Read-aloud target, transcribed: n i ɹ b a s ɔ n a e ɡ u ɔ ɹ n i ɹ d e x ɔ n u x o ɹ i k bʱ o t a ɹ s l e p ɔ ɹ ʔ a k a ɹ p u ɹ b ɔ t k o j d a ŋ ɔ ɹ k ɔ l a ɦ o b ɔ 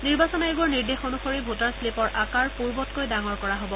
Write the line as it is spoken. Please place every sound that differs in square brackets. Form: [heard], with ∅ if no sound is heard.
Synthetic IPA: n i ɹ b a s ɔ n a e ɡ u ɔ ɹ n i ɹ d e x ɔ n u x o ɹ i [∅] bʱ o t a ɹ s l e p ɔ ɹ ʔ a k a ɹ p u ɹ b ɔ t k o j d a ŋ ɔ ɹ k ɔ [ɹ] a ɦ o b ɔ